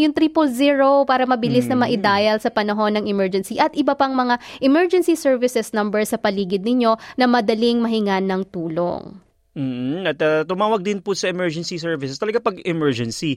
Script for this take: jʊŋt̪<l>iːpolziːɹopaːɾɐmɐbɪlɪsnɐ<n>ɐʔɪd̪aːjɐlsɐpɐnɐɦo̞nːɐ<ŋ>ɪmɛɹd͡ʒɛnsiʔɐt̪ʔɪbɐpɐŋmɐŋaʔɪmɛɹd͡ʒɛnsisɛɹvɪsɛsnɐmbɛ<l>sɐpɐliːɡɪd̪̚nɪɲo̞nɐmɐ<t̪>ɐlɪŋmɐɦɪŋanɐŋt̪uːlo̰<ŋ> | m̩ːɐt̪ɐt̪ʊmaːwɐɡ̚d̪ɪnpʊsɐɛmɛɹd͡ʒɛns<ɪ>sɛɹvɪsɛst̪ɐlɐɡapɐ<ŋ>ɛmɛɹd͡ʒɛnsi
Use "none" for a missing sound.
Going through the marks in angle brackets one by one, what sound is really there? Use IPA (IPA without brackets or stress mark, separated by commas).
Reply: ɾ, m, ŋ, ɹ, d̪, ŋ, i, ɡ